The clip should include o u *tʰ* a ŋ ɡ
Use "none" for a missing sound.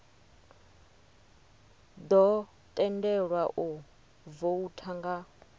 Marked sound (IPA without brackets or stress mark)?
tʰ